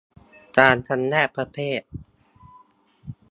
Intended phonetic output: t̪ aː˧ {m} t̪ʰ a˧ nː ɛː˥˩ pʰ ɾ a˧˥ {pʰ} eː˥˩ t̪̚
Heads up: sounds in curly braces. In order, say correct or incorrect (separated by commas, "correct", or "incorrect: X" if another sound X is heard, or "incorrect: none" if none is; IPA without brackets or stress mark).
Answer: incorrect: n, correct